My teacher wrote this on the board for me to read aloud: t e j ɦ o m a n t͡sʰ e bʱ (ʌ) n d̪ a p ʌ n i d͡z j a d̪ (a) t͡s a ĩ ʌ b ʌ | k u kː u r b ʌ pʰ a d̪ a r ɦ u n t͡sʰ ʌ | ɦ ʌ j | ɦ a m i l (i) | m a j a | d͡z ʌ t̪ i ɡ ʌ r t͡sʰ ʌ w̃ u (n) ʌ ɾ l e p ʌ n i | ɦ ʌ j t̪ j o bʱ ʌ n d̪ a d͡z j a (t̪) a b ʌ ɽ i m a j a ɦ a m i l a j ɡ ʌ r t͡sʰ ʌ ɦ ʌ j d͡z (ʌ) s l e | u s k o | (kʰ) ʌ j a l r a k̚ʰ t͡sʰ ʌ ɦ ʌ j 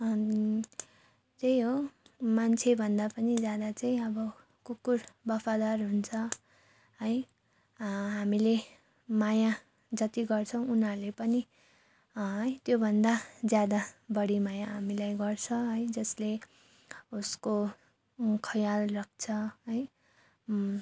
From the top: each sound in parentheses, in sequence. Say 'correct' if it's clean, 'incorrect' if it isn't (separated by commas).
correct, correct, incorrect, correct, incorrect, correct, correct